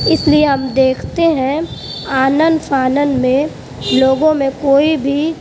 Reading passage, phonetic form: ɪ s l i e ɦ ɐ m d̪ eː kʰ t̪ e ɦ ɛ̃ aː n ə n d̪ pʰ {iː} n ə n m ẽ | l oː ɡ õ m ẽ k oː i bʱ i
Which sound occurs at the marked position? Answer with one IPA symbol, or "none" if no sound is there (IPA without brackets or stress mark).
aː